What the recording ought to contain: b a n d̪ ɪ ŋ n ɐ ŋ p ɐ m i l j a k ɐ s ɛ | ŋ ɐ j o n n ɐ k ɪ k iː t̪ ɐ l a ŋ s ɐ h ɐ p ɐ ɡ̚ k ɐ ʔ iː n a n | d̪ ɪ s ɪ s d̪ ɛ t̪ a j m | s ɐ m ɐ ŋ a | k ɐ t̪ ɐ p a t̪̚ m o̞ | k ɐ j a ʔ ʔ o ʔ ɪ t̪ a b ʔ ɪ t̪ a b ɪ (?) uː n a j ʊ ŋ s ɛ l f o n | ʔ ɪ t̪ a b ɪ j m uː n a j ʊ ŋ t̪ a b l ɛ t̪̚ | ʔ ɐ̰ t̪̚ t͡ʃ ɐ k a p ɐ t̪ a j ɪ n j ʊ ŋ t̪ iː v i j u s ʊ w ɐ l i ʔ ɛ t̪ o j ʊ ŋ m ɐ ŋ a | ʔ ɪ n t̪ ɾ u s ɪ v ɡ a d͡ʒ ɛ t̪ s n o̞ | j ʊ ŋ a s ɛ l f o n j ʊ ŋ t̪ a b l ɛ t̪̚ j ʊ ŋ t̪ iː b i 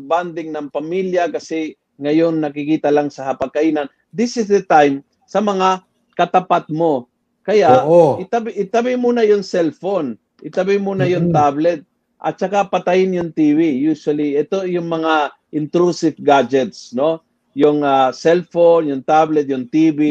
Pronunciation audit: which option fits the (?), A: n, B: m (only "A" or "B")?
B